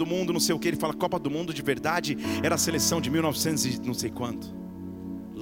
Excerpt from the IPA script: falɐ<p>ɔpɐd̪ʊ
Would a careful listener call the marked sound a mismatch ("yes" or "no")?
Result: yes